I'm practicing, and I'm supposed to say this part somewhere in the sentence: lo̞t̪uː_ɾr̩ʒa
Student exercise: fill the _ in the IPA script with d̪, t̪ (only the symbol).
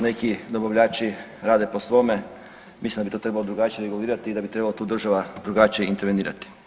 d̪